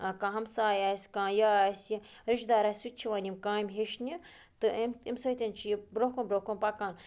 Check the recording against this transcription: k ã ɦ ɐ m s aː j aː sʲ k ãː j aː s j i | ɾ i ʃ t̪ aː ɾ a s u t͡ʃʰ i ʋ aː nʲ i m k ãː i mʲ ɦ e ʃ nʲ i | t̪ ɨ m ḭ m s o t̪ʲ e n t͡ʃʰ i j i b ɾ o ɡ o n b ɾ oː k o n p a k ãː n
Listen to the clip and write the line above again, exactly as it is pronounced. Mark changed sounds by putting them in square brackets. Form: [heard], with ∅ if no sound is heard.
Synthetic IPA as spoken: k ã ɦ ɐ m s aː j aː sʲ k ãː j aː s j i | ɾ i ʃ [d̪] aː ɾ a s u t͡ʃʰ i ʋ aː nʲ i m k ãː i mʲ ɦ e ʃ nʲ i | t̪ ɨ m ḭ m s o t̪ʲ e n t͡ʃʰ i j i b ɾ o [k] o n b ɾ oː k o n p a k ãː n